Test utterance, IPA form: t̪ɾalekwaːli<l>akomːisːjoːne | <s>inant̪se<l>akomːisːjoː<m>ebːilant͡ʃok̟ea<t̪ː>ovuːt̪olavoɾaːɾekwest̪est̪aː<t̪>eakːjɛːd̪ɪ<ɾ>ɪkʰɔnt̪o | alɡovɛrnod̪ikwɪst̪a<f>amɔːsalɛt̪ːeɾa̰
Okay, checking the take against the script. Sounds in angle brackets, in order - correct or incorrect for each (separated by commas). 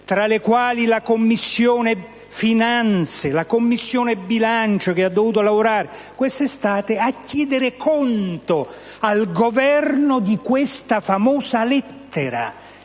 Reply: correct, incorrect, correct, incorrect, incorrect, correct, correct, correct